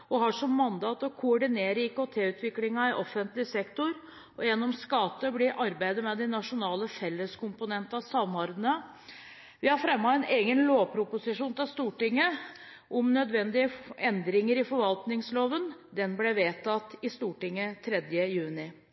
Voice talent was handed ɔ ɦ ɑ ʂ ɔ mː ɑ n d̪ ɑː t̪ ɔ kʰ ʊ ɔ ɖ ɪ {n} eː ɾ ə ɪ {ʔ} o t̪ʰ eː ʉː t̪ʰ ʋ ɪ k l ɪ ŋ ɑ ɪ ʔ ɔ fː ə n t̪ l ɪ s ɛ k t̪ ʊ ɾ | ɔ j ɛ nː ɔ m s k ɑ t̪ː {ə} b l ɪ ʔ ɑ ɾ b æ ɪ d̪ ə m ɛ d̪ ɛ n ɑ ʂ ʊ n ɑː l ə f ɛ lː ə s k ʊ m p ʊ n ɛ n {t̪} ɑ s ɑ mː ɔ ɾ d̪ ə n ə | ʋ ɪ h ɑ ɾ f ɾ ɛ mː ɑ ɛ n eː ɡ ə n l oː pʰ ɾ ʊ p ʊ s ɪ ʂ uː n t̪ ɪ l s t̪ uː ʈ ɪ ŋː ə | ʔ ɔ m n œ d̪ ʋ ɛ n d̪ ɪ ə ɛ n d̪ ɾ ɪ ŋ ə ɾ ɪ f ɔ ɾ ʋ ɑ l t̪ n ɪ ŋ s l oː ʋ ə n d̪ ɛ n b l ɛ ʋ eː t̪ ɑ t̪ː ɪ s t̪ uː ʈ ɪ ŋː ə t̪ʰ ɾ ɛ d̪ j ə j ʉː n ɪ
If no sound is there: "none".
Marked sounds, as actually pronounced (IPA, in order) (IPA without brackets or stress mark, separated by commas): n, k, ə, t̪